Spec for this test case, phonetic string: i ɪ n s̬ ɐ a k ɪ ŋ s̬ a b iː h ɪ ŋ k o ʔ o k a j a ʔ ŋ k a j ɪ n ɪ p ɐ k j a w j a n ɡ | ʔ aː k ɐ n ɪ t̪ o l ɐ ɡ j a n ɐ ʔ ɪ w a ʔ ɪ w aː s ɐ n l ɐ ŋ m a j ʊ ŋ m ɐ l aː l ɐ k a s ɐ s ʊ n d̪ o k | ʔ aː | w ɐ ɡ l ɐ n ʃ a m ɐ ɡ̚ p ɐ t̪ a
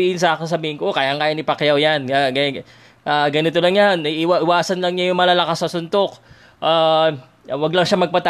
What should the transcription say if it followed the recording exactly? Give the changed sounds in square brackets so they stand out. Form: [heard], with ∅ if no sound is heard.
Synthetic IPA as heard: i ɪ n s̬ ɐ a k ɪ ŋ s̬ [ɐ] b iː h ɪ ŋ k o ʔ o k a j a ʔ ŋ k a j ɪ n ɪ p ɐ k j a w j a n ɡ | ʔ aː [ɡ] ɐ n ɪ t̪ o l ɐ [ŋ] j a n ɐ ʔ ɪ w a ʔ ɪ w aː s ɐ n l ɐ ŋ [ɲ] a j ʊ ŋ m ɐ l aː l ɐ k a s ɐ s ʊ n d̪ o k | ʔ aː | w ɐ ɡ l ɐ [ŋ] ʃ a m ɐ ɡ̚ p ɐ t̪ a